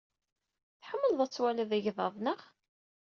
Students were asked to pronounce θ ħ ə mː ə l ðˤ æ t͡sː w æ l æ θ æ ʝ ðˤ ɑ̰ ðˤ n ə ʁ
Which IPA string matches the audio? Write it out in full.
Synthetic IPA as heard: θ ħ ə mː ə l ðˤ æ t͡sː w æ l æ ð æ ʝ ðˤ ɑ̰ ðˤ n ə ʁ